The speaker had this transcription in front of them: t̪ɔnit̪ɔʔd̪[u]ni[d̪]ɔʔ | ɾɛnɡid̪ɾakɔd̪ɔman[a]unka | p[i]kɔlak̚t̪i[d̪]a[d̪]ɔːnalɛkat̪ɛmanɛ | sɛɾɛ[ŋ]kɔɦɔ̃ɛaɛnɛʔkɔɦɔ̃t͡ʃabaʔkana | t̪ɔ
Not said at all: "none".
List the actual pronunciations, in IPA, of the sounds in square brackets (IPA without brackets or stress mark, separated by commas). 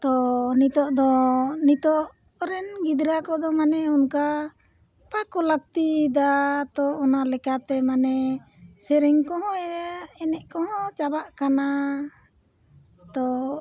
ɔ, t̪, ɛ, a, d̪, t̪, ŋ